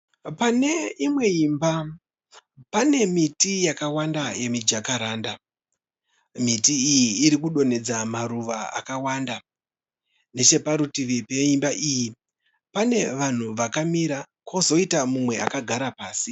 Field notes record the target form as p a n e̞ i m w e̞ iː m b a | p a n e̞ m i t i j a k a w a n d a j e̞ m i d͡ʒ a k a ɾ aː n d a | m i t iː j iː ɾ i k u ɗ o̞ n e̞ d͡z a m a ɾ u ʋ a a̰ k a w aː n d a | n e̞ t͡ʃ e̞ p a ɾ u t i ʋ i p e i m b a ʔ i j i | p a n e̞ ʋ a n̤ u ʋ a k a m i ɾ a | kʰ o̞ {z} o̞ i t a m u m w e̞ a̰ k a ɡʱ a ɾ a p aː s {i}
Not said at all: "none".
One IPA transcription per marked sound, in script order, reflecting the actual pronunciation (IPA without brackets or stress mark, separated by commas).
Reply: z, i